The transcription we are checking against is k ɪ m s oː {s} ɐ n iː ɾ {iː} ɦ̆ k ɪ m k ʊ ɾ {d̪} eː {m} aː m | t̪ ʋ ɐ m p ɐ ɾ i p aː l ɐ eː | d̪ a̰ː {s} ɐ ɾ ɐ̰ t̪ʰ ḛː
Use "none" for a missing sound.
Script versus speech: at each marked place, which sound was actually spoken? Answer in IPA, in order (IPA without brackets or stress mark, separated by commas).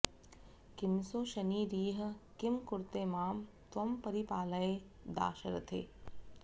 ʃ, iː, t̪, m, ʃ